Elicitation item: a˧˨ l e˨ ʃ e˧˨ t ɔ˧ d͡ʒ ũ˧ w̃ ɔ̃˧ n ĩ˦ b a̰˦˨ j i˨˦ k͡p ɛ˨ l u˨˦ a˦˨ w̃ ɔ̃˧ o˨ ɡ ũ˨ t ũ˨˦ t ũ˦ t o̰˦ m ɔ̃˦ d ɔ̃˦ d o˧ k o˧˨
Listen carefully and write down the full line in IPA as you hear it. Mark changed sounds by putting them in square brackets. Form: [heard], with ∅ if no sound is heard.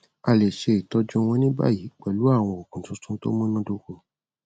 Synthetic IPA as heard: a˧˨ l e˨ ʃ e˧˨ t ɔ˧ d͡ʒ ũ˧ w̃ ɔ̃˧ n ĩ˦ b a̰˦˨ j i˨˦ k͡p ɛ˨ l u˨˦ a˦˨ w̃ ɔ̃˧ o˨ [k] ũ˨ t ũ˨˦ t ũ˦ t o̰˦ m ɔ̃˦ [n] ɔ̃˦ d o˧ k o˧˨